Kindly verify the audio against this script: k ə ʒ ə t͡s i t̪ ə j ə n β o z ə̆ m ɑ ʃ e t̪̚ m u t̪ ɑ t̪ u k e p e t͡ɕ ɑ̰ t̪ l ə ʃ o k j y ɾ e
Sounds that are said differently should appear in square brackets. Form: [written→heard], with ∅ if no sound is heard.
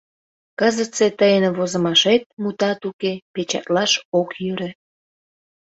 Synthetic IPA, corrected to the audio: k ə [ʒ→z] ə t͡s [i→e] t̪ ə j ə n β o z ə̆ m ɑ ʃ e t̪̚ m u t̪ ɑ t̪ u k e p e t͡ɕ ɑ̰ t̪ l [ə→ɑ] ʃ o k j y ɾ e